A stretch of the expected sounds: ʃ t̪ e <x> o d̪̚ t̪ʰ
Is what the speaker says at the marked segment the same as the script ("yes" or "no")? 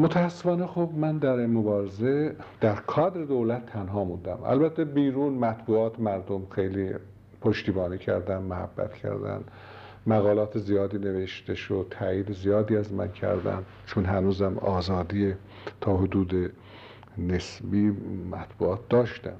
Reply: no